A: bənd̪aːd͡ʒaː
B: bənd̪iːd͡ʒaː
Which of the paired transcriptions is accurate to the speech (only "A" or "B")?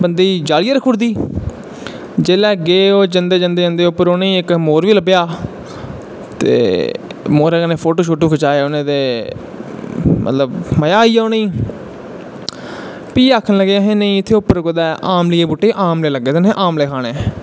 B